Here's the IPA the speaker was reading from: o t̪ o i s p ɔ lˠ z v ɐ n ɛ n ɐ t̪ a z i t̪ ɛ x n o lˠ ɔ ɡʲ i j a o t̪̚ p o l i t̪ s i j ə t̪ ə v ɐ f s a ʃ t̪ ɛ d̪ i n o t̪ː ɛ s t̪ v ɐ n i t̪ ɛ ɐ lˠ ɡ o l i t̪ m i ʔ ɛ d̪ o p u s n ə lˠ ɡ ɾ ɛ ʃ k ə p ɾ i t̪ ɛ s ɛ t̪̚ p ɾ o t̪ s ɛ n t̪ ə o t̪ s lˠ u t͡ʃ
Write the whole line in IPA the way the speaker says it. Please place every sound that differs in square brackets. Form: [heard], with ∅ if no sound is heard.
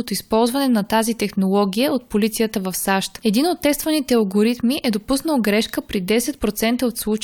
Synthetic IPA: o t̪ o i s p ɔ lˠ z v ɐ n ɛ n ɐ t̪ a z i t̪ ɛ x n o lˠ ɔ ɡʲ i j [ə] o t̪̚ p o l i t̪ s i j ə t̪ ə v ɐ f s a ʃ t̪ ɛ d̪ i n o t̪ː ɛ s t̪ v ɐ n i t̪ ɛ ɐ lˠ ɡ o [ɾ] i t̪ m i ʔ ɛ d̪ o p u s n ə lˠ ɡ ɾ ɛ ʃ k ə p ɾ i [d̪] ɛ s ɛ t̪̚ p ɾ o t̪ s ɛ n t̪ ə o t̪ s lˠ u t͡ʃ